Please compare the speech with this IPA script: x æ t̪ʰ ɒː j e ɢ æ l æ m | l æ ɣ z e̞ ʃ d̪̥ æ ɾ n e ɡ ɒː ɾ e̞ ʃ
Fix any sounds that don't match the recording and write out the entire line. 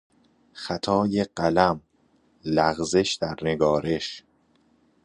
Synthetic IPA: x æ t̪ʰ ɒː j e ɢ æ l æ m | l æ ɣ z e̞ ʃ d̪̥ æ ɾ n e ɡ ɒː ɾ e̞ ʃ